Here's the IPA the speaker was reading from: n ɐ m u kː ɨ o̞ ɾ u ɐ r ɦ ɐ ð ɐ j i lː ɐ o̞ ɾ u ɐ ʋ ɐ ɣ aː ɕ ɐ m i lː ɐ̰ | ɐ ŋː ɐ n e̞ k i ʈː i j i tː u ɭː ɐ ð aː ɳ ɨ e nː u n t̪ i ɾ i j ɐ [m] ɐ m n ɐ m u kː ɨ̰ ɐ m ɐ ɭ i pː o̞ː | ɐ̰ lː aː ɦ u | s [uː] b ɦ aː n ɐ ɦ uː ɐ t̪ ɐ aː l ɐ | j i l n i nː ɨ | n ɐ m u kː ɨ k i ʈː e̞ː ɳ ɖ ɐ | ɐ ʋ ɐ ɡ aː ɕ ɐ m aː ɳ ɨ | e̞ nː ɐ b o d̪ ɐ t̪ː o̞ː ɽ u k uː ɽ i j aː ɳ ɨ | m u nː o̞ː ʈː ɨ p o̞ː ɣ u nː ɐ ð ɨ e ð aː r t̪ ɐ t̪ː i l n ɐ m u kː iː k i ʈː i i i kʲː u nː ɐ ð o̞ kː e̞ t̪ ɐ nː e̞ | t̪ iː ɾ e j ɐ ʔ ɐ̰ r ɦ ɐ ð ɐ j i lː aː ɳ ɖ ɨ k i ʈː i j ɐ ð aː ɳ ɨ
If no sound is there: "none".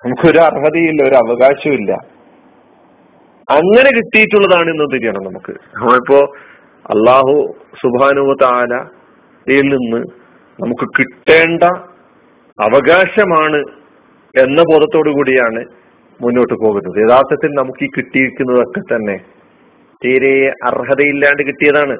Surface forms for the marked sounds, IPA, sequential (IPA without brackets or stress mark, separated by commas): ɳ, u